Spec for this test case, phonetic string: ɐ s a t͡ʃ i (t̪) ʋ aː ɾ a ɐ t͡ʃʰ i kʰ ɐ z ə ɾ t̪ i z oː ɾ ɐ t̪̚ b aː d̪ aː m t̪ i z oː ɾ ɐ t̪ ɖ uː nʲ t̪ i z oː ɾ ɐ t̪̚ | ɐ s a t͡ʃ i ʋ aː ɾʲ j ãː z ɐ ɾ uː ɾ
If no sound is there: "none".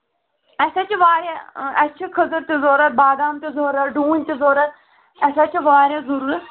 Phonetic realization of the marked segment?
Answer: none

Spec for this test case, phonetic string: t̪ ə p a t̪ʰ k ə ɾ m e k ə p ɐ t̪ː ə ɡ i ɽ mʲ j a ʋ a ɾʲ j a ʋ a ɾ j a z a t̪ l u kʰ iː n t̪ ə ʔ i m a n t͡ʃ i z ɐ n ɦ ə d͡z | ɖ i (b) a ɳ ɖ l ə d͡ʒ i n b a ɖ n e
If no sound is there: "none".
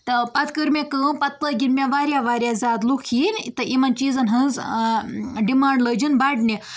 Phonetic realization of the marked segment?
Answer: m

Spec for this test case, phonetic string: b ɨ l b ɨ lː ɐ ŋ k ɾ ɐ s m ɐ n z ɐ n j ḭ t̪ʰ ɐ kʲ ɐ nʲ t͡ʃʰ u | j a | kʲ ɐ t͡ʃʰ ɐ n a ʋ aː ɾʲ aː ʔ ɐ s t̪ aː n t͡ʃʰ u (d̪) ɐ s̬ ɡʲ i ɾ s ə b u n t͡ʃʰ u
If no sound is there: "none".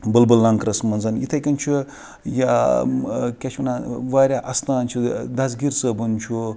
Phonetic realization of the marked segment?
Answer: d̪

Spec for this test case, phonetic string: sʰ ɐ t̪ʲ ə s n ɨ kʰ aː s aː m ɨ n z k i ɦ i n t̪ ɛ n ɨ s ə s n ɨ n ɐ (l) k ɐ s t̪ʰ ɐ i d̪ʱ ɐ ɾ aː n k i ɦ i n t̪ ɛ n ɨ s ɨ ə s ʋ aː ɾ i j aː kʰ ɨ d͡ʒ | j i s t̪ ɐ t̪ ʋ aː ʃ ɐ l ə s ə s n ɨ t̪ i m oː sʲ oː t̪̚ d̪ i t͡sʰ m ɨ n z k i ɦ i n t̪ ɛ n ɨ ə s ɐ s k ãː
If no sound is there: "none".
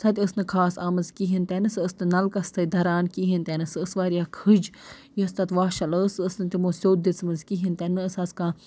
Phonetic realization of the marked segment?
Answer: l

